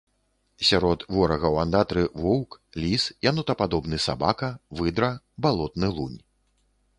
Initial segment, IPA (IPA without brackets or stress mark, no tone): sʲ